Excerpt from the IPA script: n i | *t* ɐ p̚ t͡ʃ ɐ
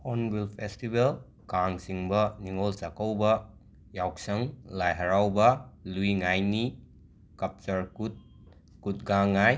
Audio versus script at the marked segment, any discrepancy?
yes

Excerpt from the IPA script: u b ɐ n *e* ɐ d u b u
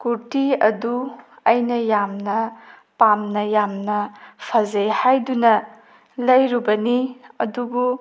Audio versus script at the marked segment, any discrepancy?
yes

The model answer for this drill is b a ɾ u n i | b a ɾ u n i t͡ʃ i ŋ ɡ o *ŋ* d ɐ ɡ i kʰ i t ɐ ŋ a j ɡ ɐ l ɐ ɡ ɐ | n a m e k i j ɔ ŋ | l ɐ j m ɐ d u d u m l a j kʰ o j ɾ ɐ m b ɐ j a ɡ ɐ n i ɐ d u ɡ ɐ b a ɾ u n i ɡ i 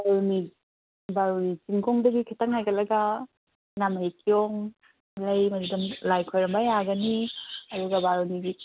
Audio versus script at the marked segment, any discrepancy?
no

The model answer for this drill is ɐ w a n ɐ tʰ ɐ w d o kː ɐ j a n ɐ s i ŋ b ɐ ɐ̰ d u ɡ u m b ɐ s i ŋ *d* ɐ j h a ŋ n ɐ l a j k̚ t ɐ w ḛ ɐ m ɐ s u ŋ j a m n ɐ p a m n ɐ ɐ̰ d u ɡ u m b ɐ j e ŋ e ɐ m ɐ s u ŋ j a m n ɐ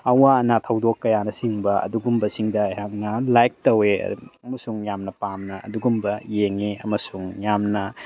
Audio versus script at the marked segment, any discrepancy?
no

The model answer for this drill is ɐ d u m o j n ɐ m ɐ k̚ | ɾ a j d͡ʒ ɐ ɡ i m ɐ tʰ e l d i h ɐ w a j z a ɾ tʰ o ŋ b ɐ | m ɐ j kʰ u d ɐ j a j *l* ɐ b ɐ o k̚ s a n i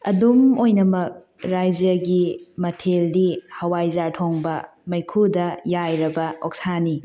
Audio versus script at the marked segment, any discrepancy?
yes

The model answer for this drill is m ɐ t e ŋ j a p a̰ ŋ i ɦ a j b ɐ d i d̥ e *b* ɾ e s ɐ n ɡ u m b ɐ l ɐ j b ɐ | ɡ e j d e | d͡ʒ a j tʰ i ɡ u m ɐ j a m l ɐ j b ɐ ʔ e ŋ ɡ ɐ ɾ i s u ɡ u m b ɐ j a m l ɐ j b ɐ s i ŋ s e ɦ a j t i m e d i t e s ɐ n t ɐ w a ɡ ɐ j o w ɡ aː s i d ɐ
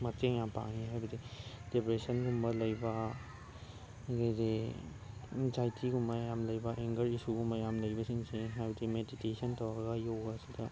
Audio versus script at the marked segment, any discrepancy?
yes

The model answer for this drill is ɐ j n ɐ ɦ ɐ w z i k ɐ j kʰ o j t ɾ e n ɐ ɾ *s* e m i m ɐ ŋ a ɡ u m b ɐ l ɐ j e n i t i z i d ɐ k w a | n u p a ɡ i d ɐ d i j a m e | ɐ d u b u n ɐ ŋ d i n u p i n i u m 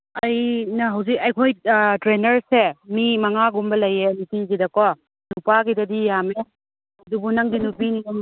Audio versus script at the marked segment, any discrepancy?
no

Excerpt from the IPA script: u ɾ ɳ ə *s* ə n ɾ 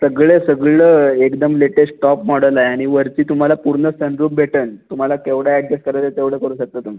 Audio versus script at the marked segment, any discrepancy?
no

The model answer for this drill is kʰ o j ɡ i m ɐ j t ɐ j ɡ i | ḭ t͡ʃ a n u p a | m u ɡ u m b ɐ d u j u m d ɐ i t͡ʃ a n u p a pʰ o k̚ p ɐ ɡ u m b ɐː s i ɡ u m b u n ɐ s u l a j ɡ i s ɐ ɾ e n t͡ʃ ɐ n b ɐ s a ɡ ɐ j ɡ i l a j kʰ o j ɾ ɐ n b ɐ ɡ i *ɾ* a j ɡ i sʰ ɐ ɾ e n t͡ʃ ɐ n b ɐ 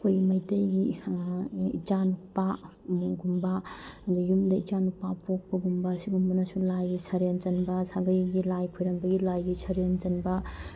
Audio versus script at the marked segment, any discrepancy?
yes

